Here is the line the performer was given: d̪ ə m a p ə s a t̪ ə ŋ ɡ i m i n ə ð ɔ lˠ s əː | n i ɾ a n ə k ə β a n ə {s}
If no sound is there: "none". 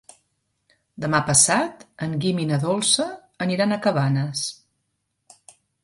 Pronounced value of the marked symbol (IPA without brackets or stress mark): s